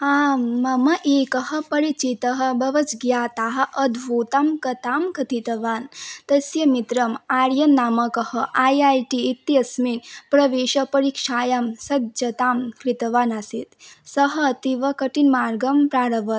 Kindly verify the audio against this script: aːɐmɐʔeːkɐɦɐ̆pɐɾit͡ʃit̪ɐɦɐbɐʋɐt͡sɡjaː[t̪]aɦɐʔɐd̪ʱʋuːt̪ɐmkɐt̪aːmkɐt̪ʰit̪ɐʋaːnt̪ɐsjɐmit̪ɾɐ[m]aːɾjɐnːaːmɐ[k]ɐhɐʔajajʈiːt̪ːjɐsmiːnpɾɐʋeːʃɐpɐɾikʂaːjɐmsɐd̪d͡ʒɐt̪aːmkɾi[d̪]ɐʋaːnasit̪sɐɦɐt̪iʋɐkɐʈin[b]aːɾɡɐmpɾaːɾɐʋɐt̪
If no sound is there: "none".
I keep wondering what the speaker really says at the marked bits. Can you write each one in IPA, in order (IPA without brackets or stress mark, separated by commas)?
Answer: t̪, m, k, t̪, m